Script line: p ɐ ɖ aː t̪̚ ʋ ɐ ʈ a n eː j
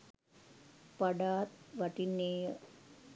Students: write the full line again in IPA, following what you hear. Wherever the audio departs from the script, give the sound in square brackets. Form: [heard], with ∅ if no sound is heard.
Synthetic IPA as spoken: p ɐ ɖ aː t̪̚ ʋ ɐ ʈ [i] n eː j